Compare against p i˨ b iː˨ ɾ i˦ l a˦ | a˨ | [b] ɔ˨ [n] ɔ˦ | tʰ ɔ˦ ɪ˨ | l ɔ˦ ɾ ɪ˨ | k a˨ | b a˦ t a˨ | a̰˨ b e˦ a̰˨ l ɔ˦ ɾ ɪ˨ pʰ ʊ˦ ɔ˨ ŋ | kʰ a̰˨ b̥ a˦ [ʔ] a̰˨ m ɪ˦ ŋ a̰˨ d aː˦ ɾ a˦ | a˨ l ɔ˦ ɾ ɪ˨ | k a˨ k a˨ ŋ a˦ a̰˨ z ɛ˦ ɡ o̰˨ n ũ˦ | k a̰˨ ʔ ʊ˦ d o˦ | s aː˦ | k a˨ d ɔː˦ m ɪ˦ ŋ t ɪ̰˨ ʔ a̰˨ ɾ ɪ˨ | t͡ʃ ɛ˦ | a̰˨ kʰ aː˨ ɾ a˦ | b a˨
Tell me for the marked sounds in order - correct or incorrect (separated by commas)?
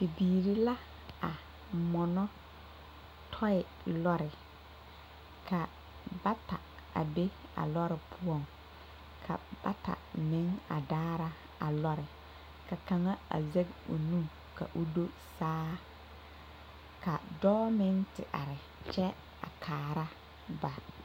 incorrect, correct, incorrect